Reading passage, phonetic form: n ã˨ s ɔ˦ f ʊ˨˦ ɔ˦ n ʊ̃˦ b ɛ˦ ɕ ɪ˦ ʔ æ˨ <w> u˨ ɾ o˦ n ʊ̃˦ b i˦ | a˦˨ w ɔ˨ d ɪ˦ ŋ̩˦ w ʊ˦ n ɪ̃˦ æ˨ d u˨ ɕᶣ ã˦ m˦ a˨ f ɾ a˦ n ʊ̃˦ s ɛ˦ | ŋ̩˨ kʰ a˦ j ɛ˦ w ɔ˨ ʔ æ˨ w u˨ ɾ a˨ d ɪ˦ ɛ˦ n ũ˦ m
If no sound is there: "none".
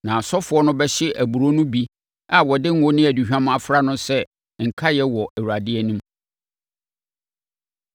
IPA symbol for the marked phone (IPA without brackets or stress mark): b